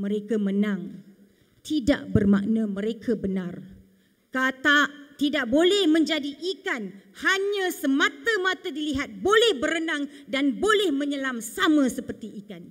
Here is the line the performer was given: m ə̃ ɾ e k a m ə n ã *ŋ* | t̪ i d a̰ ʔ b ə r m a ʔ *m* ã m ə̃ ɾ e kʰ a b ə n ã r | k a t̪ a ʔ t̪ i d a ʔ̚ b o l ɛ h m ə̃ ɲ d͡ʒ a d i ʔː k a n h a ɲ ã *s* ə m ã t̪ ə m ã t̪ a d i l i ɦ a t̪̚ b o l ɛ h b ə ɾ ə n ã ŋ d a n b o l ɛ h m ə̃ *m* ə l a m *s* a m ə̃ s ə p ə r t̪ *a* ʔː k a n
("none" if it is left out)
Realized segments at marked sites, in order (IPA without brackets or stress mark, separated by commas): ŋ, n, s, ɲ, s, i